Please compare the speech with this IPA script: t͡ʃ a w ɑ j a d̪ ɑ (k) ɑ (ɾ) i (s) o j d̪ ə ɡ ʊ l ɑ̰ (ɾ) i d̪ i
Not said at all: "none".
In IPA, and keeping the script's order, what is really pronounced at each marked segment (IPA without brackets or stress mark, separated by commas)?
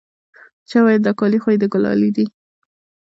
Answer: k, l, x, l